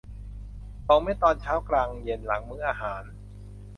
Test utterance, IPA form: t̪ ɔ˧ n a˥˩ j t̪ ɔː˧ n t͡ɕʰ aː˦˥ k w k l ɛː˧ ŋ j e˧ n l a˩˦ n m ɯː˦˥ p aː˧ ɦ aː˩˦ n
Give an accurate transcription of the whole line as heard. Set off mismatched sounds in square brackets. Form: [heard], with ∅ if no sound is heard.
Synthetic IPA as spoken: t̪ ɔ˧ [m] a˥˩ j t̪ ɔː˧ n t͡ɕʰ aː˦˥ [∅] w k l [aː˧] ŋ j e˧ n l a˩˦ [ŋ] m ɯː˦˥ [ʔ] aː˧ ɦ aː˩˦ n